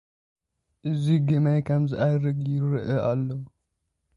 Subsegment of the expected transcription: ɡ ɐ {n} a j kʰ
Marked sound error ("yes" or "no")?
yes